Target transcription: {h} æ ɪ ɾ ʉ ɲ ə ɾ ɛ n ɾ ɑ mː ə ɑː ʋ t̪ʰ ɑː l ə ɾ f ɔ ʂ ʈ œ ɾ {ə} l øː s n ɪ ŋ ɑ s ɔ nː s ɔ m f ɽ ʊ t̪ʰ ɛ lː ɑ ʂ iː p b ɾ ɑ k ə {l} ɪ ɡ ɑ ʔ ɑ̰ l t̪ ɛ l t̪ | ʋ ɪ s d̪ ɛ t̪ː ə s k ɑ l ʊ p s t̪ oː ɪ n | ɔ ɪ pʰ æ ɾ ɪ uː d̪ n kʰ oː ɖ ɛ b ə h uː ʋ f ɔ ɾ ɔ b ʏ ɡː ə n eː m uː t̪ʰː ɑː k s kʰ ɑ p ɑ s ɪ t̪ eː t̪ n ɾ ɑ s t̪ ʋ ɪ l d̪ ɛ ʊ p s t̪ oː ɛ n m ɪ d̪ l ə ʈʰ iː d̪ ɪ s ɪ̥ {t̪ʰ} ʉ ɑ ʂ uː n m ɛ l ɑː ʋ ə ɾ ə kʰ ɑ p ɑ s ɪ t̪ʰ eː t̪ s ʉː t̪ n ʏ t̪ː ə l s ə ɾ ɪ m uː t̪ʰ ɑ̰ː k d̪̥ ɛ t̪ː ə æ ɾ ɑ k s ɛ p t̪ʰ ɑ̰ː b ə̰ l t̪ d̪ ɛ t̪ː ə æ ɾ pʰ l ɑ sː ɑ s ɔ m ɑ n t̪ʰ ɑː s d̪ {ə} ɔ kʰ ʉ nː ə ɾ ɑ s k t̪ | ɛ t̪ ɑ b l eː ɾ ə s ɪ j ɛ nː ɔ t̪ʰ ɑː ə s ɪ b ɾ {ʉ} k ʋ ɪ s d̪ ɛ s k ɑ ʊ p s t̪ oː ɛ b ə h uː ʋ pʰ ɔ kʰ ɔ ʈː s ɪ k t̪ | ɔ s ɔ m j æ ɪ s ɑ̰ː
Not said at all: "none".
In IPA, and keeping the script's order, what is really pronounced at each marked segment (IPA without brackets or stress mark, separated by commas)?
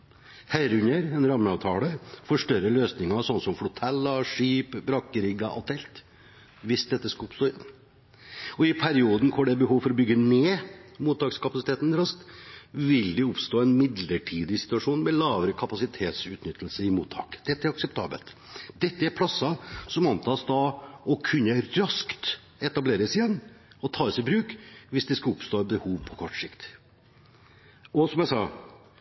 h, ə, ɾ, t̪, ɑ, ʉː